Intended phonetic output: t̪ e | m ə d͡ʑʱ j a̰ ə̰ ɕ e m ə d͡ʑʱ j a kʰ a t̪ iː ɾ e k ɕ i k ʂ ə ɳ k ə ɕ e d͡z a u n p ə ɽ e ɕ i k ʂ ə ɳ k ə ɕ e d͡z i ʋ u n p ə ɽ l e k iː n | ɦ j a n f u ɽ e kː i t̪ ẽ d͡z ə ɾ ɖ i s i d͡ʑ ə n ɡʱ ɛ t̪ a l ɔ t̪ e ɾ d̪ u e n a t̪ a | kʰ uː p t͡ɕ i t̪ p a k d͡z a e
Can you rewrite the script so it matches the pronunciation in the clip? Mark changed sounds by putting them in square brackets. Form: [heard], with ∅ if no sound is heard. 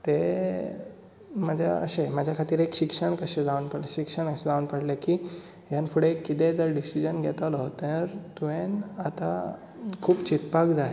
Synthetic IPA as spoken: t̪ e | m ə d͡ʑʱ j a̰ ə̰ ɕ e m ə d͡ʑʱ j a kʰ a t̪ iː ɾ e k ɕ i k ʂ ə ɳ k ə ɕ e d͡z a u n p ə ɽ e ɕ i k ʂ ə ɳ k ə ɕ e d͡z [a] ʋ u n p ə ɽ l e k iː [∅] | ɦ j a n f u ɽ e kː i t̪ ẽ d͡z ə ɾ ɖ i s i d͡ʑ ə n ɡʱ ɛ t̪ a l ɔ t̪ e ɾ [t̪] u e n a t̪ a | kʰ uː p t͡ɕ i t̪ p a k d͡z a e